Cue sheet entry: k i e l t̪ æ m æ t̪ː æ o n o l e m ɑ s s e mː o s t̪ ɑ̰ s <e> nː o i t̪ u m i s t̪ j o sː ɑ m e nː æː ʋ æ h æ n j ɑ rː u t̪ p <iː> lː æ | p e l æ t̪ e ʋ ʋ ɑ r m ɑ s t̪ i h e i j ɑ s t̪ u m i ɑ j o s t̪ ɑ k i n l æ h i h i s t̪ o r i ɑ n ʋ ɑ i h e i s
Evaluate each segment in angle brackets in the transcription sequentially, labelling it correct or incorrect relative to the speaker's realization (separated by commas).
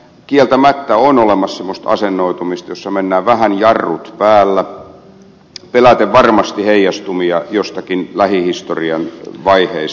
correct, incorrect